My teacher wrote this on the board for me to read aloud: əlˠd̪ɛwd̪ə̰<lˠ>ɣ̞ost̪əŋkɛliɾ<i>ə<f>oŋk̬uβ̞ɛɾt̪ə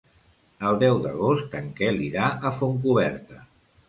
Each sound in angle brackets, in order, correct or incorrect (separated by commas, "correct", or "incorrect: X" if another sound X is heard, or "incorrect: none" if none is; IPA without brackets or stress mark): incorrect: none, incorrect: a, correct